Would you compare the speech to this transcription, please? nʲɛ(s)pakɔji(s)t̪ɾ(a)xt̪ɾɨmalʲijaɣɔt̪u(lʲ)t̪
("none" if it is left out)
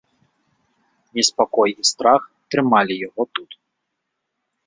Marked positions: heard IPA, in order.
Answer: s, s, a, none

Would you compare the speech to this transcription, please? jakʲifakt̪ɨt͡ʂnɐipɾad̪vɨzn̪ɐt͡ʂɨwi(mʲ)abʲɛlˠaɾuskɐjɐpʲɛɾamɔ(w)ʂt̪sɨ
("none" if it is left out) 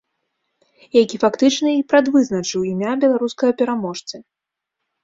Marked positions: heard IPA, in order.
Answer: mʲ, none

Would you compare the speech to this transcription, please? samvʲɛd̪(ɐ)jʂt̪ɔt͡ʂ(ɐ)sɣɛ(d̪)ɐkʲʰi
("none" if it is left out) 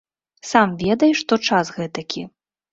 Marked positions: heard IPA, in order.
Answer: ɐ, a, t̪

